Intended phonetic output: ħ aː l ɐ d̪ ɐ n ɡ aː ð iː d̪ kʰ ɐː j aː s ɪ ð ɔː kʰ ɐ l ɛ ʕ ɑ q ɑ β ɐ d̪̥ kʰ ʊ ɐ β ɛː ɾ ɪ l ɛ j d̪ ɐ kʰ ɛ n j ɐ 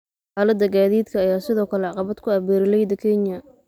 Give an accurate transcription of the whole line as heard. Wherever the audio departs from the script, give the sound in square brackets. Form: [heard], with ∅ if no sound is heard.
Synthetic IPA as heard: ħ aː l ɐ d̪ ɐ [∅] ɡ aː ð iː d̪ kʰ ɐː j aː s ɪ ð ɔː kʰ ɐ l ɛ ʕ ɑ q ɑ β ɐ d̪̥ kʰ ʊ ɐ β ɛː ɾ ɪ l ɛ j d̪ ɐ kʰ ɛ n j ɐ